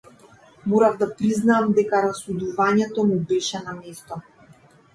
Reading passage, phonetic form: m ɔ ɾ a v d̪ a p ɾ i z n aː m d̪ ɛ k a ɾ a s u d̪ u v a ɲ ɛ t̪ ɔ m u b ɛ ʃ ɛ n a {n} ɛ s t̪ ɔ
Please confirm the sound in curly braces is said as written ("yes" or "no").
no